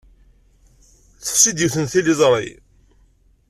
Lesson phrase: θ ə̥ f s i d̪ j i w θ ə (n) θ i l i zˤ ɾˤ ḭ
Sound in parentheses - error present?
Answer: no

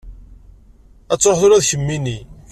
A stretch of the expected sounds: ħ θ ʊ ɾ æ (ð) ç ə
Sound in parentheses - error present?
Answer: no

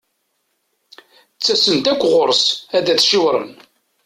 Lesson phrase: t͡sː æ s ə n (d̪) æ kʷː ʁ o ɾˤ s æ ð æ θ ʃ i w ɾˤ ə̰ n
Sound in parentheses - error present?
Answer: yes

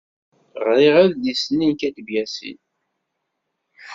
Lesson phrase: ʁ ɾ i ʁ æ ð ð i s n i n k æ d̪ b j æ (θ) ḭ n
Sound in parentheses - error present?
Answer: yes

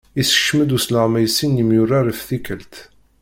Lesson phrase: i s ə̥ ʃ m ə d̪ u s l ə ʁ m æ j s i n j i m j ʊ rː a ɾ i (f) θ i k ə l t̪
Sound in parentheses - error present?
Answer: no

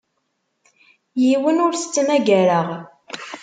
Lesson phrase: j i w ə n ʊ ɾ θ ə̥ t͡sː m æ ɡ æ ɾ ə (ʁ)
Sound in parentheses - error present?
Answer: no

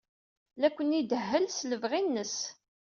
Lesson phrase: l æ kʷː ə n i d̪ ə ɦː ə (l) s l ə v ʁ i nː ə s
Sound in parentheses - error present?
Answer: no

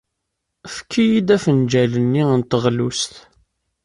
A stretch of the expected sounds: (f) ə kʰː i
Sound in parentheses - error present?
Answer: no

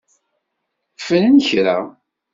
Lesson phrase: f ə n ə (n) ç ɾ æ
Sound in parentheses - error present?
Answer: no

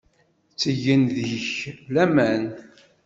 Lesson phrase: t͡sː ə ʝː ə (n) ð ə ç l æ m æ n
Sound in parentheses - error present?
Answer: no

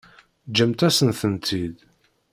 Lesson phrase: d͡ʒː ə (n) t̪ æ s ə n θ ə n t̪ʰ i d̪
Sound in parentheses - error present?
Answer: yes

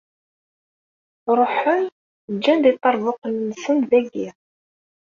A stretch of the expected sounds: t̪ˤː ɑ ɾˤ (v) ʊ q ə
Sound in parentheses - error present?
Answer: no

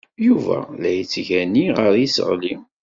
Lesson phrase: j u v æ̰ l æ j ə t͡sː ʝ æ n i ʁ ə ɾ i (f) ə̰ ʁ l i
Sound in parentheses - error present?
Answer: yes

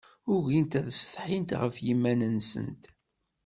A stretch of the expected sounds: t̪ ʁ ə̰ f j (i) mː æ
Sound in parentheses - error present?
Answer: no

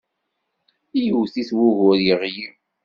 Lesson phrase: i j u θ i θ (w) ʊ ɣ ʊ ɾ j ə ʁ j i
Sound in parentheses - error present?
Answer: no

